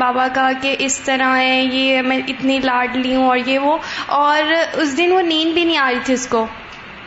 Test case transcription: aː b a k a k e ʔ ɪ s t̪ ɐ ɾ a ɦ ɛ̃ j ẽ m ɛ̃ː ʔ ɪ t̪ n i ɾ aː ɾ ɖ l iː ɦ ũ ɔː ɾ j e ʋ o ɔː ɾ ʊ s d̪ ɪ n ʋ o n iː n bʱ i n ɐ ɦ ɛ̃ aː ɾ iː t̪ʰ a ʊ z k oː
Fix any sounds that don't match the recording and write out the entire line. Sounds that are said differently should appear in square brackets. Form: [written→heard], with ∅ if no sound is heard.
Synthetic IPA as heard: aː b a k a k e ʔ ɪ s t̪ ɐ ɾ a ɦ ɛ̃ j [ẽ→e] m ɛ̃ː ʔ ɪ t̪ n i [ɾ→l] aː ɾ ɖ l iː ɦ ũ ɔː ɾ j e ʋ o ɔː ɾ ʊ s d̪ ɪ n ʋ o n iː n bʱ i n ɐ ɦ [ɛ̃→ĩ] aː ɾ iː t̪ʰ [a→i] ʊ [z→s] k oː